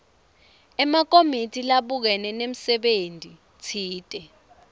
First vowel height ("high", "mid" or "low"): mid